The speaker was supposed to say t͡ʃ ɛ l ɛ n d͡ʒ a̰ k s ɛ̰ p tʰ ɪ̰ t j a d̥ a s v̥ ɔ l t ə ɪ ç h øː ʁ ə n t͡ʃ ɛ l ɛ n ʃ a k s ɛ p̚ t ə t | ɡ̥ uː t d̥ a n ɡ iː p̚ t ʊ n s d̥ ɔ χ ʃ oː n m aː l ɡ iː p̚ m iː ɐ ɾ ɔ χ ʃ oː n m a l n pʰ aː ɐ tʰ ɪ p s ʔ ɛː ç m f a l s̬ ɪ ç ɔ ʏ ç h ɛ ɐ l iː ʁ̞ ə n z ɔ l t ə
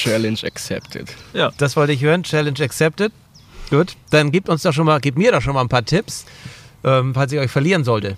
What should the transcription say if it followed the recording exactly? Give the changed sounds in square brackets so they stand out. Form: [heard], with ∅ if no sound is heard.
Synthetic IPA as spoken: t͡ʃ ɛ l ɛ n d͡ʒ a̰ k s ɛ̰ p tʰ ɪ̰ t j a d̥ a s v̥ ɔ l t ə ɪ ç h øː ʁ ə n t͡ʃ ɛ l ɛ n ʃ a k s ɛ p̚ t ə t | ɡ̥ uː t d̥ a n ɡ iː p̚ t ʊ n s d̥ ɔ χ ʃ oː n m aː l ɡ iː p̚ m iː ɐ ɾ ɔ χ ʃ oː n m a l n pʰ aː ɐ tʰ ɪ p s ʔ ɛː [∅] m f a l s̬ ɪ ç ɔ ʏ ç [f] ɛ ɐ l iː ʁ̞ ə n z ɔ l t ə

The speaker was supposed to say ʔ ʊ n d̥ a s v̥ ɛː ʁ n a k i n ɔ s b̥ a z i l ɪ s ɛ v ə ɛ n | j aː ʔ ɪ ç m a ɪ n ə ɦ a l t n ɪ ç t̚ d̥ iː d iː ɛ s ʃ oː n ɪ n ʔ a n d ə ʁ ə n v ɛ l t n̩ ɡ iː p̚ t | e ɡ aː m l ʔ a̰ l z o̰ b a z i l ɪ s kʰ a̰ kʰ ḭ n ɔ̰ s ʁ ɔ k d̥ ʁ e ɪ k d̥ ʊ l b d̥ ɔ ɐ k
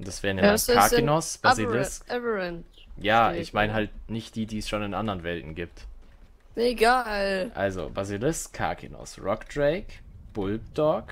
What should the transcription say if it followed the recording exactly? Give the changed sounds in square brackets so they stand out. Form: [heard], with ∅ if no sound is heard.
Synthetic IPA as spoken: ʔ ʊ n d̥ a s v̥ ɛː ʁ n a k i n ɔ s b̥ a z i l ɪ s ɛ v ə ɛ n | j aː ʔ ɪ ç m a ɪ n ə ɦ a l t n ɪ ç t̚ d̥ iː d iː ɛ s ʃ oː n ɪ n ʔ a n d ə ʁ ə n v ɛ l t n̩ ɡ iː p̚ t | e ɡ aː [∅] l ʔ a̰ l z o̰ b a z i l ɪ s kʰ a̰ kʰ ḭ n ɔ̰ s ʁ ɔ k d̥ ʁ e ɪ k [b̥] ʊ l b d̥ ɔ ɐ k

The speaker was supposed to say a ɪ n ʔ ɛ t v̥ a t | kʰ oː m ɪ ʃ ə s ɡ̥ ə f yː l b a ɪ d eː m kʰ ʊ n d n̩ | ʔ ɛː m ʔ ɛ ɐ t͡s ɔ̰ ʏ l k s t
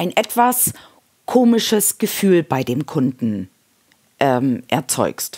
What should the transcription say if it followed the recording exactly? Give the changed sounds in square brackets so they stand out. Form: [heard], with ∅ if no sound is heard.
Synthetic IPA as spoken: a ɪ n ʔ ɛ t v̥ a [s] | kʰ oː m ɪ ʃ ə s ɡ̥ ə f yː l b a ɪ d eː m kʰ ʊ n d n̩ | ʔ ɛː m ʔ ɛ ɐ t͡s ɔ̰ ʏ [∅] k s t

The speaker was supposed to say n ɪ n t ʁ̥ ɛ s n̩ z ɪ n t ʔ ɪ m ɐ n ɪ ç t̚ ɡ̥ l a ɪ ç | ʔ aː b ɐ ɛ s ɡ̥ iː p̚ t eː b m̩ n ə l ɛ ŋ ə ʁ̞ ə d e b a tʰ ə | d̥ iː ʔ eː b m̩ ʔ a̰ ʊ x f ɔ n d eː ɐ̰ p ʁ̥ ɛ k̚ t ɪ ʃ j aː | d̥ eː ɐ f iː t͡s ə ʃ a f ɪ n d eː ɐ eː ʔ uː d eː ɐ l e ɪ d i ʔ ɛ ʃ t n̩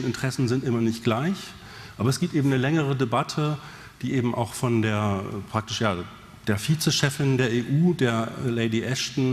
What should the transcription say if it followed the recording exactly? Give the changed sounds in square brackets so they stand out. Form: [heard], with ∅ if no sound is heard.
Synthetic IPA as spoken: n ɪ n t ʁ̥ ɛ s n̩ z ɪ n t ʔ ɪ m ɐ n ɪ ç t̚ ɡ̥ l a ɪ ç | ʔ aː b ɐ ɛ s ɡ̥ iː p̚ t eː b m̩ n ə l ɛ ŋ ə ʁ̞ ə d e b a tʰ ə | d̥ iː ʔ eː b m̩ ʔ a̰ ʊ x f ɔ n d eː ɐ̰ p ʁ̥ [a] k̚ t ɪ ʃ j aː | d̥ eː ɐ f iː t͡s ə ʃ [ɛ] f ɪ n d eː ɐ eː ʔ uː d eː ɐ l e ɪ d i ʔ ɛ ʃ t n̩

